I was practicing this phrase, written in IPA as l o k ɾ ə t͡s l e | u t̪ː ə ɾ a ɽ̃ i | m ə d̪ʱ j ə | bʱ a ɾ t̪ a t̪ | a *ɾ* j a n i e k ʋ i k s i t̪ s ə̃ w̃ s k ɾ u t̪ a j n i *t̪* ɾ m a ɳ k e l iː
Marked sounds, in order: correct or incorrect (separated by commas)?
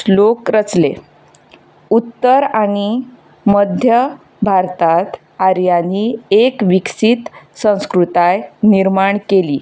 correct, incorrect